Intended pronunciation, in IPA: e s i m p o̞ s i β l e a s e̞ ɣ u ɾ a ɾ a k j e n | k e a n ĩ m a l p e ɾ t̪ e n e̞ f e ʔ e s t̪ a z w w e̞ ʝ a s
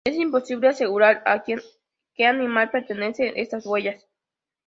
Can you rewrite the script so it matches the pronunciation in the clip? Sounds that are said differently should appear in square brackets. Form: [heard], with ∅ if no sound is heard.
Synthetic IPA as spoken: e s i m p o̞ s i β l e a s e̞ ɣ u ɾ a ɾ a k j e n | k e a n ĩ m a l p e ɾ t̪ e n e̞ [s] e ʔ e s t̪ a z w w e̞ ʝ a s